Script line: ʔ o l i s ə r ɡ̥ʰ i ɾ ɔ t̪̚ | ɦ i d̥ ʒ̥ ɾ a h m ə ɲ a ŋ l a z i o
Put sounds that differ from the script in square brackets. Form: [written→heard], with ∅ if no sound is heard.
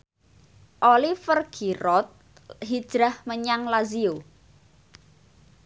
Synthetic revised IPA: ʔ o l i [s→f] ə r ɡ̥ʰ i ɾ ɔ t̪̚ | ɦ i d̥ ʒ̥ ɾ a h m ə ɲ a ŋ l a z i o